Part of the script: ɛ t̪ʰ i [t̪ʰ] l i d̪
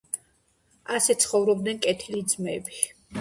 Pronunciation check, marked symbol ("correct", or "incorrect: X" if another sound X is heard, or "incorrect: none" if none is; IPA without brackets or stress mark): incorrect: none